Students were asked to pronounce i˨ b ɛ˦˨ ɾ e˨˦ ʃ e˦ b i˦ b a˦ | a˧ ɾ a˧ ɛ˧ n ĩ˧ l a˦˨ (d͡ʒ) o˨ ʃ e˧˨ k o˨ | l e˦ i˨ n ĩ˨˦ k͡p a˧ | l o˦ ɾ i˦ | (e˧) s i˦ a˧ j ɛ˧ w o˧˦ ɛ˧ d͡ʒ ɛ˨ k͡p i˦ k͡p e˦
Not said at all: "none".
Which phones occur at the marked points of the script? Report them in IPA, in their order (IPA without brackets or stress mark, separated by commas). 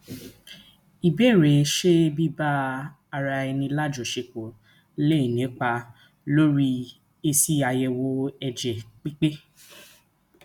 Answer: d͡ʒ, e˧